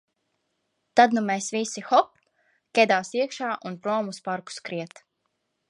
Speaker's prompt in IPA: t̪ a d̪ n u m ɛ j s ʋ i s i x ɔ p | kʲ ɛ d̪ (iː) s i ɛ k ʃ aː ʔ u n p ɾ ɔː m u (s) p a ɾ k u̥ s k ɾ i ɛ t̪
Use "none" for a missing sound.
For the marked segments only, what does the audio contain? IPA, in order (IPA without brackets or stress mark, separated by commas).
aː, s